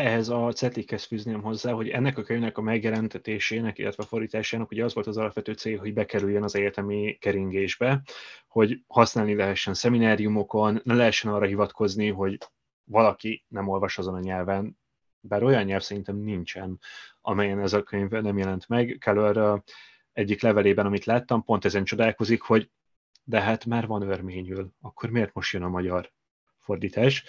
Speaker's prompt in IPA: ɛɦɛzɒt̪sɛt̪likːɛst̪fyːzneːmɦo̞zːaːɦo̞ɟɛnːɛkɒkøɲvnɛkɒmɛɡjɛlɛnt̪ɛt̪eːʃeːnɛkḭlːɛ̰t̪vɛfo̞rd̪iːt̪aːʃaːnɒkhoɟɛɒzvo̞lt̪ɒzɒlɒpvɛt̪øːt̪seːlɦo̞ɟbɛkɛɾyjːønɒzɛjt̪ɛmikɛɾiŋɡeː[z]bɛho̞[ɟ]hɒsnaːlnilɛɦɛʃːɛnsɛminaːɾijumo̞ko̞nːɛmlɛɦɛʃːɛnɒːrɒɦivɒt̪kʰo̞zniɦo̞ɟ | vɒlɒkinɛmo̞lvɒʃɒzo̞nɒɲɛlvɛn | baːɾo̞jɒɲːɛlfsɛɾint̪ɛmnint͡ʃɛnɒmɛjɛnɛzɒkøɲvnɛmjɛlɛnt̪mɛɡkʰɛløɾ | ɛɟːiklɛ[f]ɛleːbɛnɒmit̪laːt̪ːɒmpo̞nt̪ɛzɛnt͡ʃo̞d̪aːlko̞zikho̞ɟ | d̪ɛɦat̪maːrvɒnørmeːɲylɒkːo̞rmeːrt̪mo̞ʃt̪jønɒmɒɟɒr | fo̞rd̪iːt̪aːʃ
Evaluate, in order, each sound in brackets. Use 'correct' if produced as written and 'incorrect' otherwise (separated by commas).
incorrect, correct, incorrect